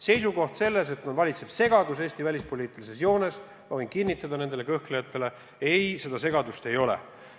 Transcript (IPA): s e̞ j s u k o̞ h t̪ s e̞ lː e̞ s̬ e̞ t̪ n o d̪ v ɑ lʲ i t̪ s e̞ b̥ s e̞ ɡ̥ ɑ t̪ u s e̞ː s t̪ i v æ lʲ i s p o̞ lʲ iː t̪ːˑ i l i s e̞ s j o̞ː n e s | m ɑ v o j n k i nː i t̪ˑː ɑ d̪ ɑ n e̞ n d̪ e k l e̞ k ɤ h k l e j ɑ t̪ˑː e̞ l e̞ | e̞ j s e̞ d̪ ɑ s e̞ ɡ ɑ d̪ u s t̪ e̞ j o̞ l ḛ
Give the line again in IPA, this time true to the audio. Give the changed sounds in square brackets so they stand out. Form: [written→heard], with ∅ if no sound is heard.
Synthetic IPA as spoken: s e̞ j s u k o̞ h t̪ s e̞ lː e̞ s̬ e̞ t̪ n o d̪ v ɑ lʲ i t̪ s e̞ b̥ s e̞ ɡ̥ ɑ [t̪→d̪] u s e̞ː s t̪ i v æ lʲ i s p o̞ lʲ iː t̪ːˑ i l i s e̞ s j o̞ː n e s | m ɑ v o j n k i nː i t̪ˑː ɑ d̪ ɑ n e̞ n d̪ e [k→∅] l e̞ k ɤ h k l e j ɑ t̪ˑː e̞ l e̞ | e̞ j s e̞ d̪ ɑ s e̞ ɡ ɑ d̪ u s t̪ e̞ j o̞ l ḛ